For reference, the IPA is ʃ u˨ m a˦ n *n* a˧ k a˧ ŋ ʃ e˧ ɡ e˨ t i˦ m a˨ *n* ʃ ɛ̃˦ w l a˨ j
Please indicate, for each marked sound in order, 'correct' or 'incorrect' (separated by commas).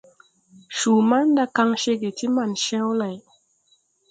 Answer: incorrect, correct